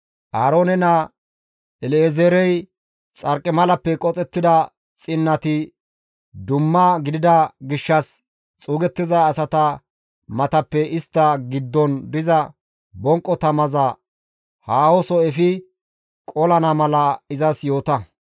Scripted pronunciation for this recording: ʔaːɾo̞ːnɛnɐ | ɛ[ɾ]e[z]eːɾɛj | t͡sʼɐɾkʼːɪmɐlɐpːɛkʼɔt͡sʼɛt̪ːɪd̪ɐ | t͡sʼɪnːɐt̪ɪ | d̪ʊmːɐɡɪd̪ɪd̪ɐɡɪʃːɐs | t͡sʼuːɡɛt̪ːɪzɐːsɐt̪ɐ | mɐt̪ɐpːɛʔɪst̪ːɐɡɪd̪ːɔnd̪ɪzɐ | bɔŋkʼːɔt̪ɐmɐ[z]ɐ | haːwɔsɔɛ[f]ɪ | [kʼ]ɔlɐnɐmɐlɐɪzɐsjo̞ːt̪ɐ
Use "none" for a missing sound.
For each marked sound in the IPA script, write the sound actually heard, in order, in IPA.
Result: l, z, z, f, kʼ

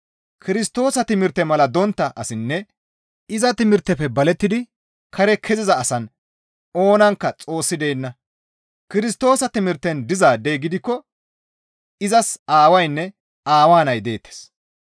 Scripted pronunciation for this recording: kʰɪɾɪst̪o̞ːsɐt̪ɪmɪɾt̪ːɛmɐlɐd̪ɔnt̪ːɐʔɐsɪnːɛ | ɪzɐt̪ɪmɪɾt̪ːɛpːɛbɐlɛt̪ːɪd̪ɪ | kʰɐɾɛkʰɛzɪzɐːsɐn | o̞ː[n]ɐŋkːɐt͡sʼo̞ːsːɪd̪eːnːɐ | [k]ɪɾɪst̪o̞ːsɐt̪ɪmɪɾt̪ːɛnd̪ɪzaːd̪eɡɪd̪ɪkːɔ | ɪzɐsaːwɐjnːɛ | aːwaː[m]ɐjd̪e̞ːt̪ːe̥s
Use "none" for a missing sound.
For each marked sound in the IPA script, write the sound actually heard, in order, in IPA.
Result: n, k, n

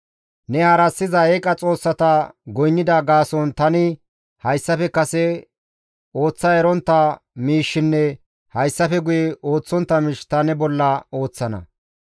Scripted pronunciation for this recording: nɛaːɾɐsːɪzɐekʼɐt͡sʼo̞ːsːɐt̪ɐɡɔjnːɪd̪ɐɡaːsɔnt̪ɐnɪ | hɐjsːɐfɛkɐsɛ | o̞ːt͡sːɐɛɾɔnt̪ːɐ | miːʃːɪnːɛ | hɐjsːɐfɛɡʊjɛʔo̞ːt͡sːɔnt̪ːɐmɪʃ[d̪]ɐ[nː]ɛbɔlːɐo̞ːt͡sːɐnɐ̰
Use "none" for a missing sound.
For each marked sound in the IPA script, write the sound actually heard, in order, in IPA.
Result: t̪, n

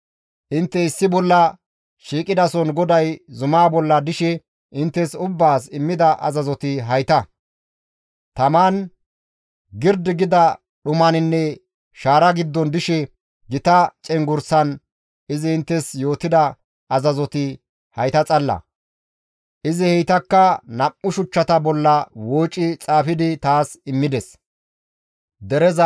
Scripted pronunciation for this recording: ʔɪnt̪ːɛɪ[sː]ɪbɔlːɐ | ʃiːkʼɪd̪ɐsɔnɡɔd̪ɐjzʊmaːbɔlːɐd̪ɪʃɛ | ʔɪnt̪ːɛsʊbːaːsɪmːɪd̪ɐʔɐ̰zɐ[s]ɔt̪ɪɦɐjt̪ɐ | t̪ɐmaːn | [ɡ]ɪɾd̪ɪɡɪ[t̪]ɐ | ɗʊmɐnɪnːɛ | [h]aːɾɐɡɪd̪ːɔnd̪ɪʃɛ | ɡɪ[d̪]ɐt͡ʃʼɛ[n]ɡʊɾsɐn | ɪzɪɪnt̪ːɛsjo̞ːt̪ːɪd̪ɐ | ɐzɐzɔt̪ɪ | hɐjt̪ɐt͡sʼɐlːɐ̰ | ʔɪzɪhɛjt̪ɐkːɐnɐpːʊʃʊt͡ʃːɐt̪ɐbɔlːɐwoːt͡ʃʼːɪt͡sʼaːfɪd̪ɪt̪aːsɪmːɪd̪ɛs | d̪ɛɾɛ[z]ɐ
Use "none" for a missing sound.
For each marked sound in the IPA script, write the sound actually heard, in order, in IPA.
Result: sː, z, ɡ, d̪, ʃ, t̪, ŋ, z

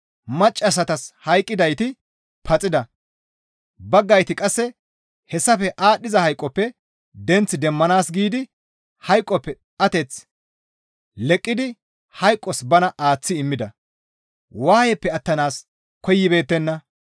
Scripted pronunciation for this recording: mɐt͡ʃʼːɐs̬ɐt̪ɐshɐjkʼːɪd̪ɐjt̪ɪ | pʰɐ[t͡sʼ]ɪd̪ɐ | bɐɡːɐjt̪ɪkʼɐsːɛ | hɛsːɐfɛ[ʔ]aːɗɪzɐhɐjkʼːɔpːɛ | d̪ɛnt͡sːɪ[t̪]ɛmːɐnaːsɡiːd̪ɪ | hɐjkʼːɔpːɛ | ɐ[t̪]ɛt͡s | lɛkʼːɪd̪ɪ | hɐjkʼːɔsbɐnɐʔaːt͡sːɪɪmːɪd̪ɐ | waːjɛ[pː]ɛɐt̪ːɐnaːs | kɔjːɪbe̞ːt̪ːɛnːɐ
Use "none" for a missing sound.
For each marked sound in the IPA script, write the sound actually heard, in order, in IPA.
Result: t͡sʼ, ʔ, d̪, t̪, pː

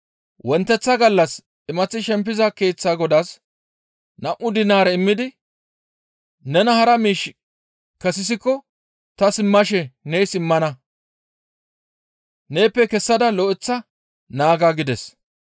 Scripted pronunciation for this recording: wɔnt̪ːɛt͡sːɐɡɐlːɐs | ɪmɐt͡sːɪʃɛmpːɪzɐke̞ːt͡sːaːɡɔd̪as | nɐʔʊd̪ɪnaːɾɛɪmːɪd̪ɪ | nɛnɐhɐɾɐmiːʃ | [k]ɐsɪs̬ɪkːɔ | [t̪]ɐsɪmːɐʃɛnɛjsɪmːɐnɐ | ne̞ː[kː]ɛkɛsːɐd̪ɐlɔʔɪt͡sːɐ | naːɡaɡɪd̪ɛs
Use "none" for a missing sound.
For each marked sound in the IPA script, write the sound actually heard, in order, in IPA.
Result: k, t̪, pː

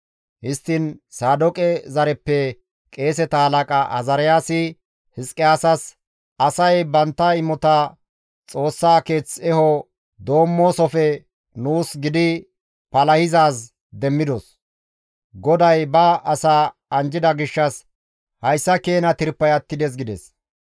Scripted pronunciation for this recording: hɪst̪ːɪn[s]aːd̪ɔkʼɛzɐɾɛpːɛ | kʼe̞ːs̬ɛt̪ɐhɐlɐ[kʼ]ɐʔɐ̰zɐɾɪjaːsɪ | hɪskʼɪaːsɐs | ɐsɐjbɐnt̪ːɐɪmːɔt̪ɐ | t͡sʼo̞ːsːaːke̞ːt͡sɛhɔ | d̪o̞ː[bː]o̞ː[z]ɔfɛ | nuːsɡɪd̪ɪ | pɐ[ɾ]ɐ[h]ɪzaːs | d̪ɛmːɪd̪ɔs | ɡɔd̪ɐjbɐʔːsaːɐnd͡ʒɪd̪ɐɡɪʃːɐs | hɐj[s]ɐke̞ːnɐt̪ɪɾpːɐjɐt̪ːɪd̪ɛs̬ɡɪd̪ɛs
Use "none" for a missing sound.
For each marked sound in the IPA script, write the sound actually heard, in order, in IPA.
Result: s, kʼ, mː, s, l, h, sː

